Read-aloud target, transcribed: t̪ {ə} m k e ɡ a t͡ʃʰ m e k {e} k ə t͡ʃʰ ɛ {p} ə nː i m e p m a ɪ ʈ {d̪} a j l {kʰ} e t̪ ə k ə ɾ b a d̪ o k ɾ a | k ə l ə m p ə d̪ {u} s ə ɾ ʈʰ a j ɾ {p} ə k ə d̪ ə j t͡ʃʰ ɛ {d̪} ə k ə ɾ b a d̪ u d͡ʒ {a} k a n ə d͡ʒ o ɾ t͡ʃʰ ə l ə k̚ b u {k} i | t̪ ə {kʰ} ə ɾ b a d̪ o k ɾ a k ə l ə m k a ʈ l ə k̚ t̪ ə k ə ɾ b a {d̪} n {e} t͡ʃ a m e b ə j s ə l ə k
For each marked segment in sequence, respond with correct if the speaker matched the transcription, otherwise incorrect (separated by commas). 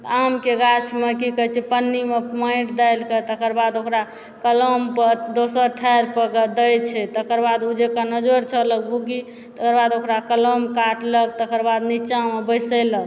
incorrect, incorrect, correct, correct, incorrect, incorrect, correct, incorrect, incorrect, incorrect, incorrect, correct, incorrect